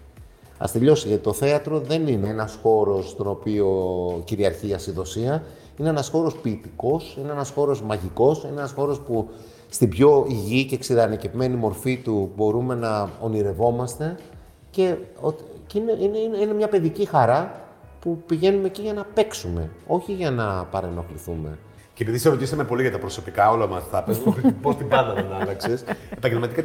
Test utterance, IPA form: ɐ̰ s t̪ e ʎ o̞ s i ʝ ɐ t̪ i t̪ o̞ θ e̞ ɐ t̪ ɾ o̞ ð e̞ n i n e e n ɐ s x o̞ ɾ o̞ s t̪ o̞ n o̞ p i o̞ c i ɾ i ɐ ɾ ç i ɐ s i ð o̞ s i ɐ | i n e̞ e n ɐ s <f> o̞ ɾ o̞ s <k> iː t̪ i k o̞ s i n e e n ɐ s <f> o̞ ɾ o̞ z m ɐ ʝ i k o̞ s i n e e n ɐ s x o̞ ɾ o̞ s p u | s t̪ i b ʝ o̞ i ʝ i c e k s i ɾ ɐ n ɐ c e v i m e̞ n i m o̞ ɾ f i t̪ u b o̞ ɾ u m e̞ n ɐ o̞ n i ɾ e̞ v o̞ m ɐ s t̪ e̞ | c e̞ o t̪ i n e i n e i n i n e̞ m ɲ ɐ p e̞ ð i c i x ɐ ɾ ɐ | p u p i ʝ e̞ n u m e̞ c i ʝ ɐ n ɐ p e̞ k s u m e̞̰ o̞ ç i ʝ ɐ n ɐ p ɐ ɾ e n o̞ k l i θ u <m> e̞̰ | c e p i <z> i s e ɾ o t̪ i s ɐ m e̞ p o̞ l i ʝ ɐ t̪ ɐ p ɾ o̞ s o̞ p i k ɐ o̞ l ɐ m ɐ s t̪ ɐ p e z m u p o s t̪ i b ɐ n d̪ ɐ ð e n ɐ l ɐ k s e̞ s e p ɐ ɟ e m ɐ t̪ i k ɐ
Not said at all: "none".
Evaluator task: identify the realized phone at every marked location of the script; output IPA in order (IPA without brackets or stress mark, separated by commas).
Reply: x, p, x, m, ð